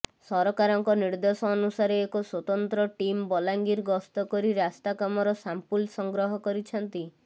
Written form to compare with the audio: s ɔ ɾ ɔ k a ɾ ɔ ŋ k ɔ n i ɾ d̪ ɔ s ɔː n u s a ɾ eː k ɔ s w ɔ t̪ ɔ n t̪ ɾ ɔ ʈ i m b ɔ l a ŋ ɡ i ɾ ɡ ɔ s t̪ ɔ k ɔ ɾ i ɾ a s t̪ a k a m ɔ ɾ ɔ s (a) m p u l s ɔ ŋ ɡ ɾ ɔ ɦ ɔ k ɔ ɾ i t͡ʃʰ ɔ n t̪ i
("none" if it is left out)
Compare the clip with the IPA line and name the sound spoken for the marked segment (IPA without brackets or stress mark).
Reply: a